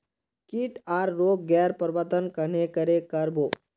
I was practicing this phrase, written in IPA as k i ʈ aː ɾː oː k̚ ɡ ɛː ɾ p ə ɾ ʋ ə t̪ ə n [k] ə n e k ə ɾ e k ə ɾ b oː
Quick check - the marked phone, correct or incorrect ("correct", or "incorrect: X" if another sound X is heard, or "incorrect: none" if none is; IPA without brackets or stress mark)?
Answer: correct